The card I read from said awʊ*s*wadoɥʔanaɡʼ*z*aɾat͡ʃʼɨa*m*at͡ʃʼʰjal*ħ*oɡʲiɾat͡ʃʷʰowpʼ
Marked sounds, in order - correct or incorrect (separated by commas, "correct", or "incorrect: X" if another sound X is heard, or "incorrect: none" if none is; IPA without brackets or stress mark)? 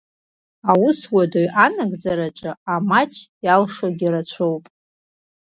correct, incorrect: d͡z, correct, incorrect: ʂ